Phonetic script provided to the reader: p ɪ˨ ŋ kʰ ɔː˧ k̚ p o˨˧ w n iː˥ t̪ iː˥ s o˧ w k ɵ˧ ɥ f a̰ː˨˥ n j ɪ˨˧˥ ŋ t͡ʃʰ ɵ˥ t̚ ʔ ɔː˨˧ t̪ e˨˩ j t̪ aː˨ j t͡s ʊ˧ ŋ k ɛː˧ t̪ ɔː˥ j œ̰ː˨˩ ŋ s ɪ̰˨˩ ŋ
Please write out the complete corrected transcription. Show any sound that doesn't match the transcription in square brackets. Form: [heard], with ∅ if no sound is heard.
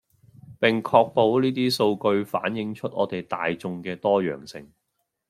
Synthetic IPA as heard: p ɪ˨ ŋ kʰ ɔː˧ k̚ p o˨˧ w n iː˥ t̪ iː˥ s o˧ w k ɵ˧ ɥ f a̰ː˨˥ n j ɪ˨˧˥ ŋ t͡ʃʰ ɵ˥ t̚ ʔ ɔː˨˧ t̪ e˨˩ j t̪ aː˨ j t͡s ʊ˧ ŋ k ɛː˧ t̪ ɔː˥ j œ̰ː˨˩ ŋ s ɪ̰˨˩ ŋ